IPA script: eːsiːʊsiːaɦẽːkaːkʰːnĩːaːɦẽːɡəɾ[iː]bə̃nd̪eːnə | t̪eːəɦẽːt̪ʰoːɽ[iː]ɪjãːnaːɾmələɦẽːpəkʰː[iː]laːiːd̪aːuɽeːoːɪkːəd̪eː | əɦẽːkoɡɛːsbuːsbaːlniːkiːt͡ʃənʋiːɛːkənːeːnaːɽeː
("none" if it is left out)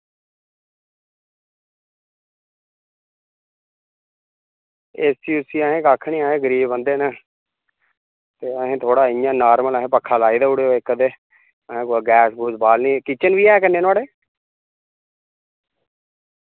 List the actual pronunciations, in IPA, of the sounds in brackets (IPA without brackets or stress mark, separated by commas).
iː, aː, aː